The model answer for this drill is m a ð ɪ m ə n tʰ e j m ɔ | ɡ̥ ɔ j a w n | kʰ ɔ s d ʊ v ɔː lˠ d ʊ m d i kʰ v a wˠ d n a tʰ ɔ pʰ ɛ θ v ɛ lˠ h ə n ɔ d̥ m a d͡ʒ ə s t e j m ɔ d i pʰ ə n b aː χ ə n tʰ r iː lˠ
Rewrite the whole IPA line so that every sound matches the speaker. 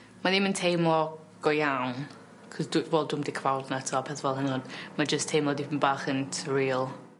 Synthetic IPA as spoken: m a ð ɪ m ə n tʰ e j m ɔ | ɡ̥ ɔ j a w n | kʰ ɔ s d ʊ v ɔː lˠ d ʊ m d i kʰ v a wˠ d n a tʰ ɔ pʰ ɛ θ v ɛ lˠ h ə n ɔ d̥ m a d͡ʒ ə s tʰ e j m ɔ d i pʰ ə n b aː χ ə n tʰ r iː lˠ